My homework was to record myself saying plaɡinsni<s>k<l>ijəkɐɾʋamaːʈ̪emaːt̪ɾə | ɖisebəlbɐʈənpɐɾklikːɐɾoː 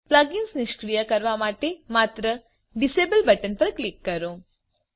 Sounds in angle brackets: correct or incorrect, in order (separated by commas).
incorrect, incorrect